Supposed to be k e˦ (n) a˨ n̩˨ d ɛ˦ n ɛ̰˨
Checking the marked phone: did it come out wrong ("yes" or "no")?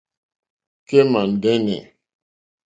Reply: yes